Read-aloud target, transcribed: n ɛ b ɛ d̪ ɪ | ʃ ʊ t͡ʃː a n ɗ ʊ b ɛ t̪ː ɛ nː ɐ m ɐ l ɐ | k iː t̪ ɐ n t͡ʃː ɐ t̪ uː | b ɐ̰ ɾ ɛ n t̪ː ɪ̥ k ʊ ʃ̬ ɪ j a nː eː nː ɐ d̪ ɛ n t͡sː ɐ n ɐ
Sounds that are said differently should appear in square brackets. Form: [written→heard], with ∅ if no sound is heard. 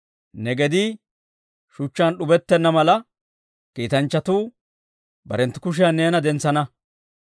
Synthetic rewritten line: n ɛ [b→ɡ] ɛ d̪ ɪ | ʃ ʊ t͡ʃː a n ɗ ʊ b ɛ t̪ː ɛ nː ɐ m ɐ l ɐ | k iː t̪ ɐ n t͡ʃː ɐ t̪ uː | b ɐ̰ ɾ ɛ n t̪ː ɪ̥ k ʊ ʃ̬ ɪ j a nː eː [nː→n] ɐ d̪ ɛ n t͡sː ɐ n ɐ

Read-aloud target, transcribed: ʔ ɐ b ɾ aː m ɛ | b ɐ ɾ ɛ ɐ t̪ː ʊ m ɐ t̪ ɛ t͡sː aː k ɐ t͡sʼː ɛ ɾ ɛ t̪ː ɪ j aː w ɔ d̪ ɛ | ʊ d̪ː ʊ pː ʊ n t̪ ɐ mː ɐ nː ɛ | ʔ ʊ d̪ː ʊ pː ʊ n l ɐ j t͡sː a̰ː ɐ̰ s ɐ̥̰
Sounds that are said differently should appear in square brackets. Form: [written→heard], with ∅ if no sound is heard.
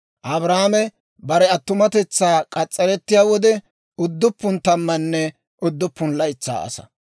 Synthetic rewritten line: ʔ ɐ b ɾ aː m ɛ | b ɐ ɾ ɛ ɐ t̪ː ʊ m ɐ t̪ ɛ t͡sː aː [k→kʼ] ɐ t͡sʼː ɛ ɾ ɛ t̪ː ɪ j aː w ɔ d̪ ɛ | ʊ d̪ː ʊ pː ʊ n t̪ ɐ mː ɐ nː ɛ | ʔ ʊ d̪ː ʊ pː ʊ n l ɐ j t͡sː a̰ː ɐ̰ s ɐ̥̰

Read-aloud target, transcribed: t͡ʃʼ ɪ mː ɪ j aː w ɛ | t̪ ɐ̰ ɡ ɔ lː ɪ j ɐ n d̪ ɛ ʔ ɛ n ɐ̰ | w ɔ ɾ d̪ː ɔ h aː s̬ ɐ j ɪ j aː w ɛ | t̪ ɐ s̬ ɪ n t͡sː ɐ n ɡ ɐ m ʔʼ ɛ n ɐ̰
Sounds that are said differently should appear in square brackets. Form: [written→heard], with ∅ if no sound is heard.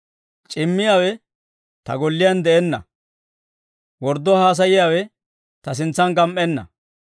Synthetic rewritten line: t͡ʃʼ ɪ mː ɪ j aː w ɛ | t̪ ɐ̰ ɡ ɔ lː ɪ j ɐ n d̪ ɛ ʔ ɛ [n→nː] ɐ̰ | w ɔ ɾ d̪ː ɔ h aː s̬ ɐ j ɪ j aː w ɛ | t̪ ɐ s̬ ɪ n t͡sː ɐ n ɡ ɐ m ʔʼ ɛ [n→nː] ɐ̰

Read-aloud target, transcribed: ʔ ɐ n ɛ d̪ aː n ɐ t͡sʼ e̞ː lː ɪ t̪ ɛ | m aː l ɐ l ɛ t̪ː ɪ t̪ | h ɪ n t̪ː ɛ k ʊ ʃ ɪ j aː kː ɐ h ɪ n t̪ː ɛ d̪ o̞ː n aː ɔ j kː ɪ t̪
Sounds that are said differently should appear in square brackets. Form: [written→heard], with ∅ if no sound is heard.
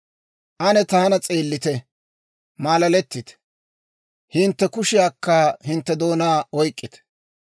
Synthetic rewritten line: ʔ ɐ n ɛ [d̪→t̪] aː n ɐ t͡sʼ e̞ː lː ɪ t̪ ɛ | m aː l ɐ l ɛ t̪ː ɪ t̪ | h ɪ n t̪ː ɛ k ʊ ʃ ɪ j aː kː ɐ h ɪ n t̪ː ɛ d̪ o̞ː n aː ɔ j [kː→kʼː] ɪ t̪

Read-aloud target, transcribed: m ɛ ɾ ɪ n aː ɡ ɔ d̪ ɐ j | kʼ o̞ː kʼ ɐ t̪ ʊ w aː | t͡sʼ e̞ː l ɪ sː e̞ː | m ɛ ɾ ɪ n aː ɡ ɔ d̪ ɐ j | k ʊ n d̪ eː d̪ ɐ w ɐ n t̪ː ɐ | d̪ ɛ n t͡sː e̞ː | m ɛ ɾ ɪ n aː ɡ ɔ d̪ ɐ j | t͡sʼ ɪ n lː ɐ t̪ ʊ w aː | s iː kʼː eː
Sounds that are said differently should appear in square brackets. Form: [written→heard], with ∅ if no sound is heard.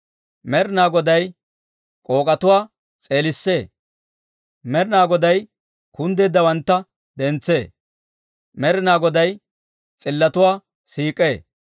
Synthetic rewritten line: m ɛ ɾ ɪ n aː ɡ ɔ d̪ ɐ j | kʼ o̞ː kʼ ɐ t̪ ʊ w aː | t͡sʼ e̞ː l ɪ sː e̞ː | m ɛ ɾ ɪ n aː ɡ ɔ d̪ ɐ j | k ʊ n d̪ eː d̪ ɐ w ɐ n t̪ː ɐ | d̪ ɛ n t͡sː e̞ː | m ɛ ɾ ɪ n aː ɡ ɔ d̪ ɐ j | t͡sʼ ɪ [n→∅] lː ɐ t̪ ʊ w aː | s iː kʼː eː

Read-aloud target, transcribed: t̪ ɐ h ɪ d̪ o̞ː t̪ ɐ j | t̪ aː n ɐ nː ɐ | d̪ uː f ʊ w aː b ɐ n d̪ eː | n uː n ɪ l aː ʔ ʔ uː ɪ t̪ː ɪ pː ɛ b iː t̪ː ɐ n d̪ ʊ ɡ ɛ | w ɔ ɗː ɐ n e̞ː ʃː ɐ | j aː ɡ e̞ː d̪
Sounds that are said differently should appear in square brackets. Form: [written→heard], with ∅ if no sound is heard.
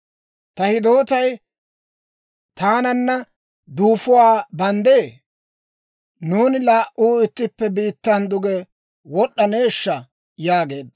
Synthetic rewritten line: t̪ ɐ h ɪ d̪ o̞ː t̪ ɐ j | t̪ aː n ɐ nː ɐ | d̪ uː f ʊ w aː b ɐ n d̪ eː | n uː n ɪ l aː ʔ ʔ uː ɪ t̪ː ɪ pː ɛ b iː t̪ː ɐ n d̪ ʊ ɡ ɛ | w ɔ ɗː ɐ n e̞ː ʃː ɐ | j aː ɡ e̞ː d̪

